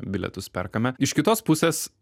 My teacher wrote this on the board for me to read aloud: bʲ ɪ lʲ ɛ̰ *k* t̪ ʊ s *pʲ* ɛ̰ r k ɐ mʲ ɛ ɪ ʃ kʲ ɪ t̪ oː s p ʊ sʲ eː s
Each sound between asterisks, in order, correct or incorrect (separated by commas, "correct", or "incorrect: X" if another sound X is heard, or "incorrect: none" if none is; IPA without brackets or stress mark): incorrect: none, correct